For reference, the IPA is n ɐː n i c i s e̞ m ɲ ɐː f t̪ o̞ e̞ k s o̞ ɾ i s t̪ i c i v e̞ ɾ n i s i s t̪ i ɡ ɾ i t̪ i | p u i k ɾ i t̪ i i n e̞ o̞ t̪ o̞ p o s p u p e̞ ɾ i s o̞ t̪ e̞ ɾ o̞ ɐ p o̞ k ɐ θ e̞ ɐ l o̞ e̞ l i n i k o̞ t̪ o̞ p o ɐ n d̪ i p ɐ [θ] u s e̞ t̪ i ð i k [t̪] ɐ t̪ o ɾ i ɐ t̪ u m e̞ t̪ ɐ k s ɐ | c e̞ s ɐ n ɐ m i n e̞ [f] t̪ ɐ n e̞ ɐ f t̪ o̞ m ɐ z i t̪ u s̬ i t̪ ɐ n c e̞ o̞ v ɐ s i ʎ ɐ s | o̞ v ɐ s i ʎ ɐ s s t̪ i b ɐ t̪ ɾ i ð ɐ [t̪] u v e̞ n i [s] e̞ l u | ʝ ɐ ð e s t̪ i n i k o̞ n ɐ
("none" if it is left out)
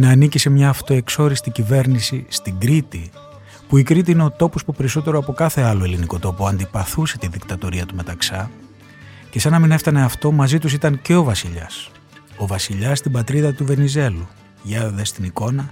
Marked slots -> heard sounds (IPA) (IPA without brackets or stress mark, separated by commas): θ, t̪, f, t̪, z